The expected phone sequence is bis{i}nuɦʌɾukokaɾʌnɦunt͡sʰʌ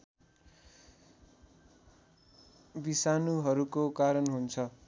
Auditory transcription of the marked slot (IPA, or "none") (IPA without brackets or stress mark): a